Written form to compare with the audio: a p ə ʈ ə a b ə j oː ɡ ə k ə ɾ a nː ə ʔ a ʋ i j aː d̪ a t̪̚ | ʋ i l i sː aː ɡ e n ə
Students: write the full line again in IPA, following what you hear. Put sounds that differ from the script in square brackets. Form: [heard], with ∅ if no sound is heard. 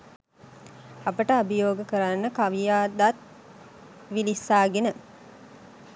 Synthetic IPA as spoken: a p ə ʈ ə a b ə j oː ɡ ə k ə ɾ a nː ə [k] a ʋ i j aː d̪ a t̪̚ | ʋ i l i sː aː ɡ e n ə